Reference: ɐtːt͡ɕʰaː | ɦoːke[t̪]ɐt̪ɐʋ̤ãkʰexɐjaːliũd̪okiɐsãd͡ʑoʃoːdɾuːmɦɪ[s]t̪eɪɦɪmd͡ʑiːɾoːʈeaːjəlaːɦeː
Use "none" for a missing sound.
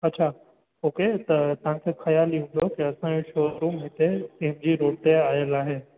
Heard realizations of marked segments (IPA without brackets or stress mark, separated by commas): t̪, none